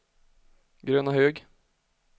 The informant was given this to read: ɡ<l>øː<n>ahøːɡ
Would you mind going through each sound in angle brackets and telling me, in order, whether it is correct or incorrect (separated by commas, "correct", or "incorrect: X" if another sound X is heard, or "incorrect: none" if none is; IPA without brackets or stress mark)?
incorrect: ɾ, correct